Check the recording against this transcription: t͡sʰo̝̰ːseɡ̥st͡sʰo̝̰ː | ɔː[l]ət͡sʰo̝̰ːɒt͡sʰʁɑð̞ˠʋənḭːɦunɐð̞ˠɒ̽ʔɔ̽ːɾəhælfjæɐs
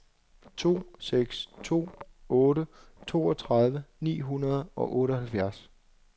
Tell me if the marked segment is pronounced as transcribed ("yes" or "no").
no